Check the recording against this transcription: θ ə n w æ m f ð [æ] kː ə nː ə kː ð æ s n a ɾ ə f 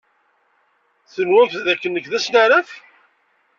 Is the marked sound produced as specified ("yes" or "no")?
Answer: yes